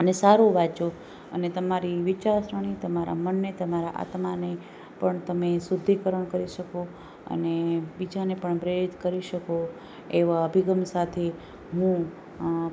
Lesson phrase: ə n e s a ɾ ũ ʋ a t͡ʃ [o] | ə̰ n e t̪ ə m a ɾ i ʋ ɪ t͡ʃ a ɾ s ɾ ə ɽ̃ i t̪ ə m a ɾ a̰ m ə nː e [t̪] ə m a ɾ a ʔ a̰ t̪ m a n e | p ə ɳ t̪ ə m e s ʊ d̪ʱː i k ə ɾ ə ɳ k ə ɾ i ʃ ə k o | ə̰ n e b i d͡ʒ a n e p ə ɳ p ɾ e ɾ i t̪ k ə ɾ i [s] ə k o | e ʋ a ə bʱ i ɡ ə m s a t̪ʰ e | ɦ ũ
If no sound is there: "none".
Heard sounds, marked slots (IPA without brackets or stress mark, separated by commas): o, t̪, ʃ